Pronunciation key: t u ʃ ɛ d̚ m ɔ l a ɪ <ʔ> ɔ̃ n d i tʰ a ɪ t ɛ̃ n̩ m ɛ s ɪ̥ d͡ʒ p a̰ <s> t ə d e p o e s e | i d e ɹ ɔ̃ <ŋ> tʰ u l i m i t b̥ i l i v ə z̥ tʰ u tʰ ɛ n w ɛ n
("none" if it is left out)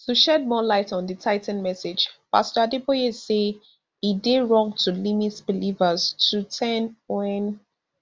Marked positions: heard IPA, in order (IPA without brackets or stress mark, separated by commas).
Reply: t, s, ŋ